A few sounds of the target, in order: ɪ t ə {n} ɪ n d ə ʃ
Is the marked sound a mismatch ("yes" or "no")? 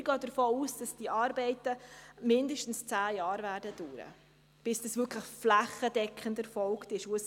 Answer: yes